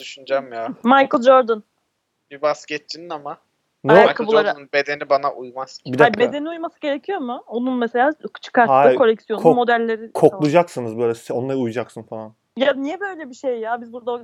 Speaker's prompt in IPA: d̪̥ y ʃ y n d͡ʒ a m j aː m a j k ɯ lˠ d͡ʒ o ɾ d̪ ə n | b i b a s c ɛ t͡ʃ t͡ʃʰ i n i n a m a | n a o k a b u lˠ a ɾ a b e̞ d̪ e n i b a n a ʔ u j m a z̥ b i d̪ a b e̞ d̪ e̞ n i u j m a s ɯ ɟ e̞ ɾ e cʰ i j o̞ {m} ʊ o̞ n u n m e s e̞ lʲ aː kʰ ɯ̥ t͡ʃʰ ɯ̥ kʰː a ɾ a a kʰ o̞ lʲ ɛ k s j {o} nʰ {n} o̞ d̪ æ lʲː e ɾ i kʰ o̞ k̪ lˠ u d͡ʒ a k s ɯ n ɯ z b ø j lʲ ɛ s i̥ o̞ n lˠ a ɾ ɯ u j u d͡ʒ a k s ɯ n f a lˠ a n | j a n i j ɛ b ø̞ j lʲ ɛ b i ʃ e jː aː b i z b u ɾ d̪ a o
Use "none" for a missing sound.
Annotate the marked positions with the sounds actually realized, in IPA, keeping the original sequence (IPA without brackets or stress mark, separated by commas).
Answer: m, o, m